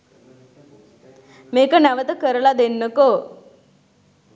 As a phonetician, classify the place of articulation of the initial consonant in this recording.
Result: labial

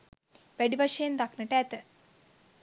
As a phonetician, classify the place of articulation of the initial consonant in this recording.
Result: labial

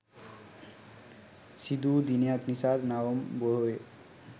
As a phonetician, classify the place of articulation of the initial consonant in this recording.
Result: alveolar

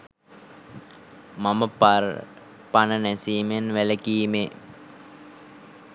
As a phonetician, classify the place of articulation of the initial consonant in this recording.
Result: labial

